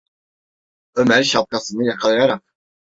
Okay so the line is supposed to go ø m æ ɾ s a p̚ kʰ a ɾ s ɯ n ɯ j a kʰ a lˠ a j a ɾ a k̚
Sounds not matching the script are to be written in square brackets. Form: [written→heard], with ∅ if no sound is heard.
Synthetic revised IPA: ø m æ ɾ [s→ʃ] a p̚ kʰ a [ɾ→∅] s ɯ n ɯ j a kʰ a lˠ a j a ɾ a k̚